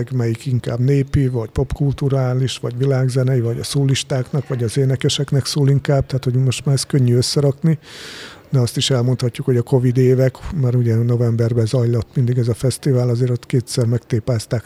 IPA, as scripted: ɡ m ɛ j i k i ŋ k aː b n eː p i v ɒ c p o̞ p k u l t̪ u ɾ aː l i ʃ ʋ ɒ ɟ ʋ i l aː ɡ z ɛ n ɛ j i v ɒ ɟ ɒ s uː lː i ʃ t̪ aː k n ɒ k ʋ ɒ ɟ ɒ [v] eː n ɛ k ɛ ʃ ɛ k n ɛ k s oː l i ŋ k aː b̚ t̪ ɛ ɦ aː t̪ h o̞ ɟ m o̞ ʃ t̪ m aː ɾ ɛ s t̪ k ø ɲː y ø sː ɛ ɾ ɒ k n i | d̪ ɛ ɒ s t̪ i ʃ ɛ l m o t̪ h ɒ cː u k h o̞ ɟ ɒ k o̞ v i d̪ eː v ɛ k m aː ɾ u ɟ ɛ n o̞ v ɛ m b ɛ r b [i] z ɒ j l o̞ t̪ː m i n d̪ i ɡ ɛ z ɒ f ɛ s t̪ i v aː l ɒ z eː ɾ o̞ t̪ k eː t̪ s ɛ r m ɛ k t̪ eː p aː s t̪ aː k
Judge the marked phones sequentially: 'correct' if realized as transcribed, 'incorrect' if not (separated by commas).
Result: incorrect, incorrect